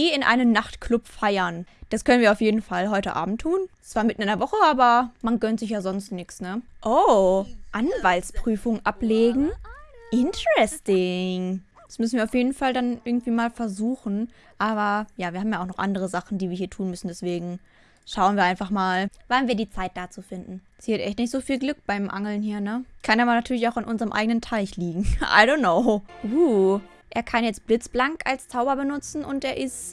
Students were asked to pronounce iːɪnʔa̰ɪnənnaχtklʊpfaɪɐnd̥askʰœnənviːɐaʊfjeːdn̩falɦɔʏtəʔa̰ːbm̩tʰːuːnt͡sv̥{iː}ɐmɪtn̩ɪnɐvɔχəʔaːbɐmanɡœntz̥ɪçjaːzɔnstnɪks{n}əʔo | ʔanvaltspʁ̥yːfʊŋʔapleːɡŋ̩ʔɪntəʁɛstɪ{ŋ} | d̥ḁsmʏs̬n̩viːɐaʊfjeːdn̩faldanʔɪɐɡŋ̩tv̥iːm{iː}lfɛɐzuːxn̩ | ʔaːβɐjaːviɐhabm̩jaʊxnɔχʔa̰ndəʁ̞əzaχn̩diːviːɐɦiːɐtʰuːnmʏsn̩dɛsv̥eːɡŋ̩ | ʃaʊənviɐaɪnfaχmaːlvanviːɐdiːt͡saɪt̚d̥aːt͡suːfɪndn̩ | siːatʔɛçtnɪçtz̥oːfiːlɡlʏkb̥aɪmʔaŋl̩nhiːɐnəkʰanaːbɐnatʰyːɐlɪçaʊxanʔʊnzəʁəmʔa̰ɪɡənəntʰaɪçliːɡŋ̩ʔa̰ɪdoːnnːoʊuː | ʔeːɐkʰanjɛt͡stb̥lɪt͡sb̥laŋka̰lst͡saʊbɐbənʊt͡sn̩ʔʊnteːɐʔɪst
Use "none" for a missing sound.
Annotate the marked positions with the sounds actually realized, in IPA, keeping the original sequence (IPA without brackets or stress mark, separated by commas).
aː, n, ŋ, aː